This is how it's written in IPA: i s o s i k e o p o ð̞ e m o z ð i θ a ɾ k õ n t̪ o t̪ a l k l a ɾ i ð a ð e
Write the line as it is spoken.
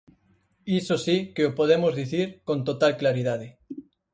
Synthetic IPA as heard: i s o s i k e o p o ð̞ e m o z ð i θ i ɾ k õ n t̪ o t̪ a l k l a ɾ i ð a ð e